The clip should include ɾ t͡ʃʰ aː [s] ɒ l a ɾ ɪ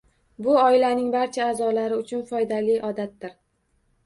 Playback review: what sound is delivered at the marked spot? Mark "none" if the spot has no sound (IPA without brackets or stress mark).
z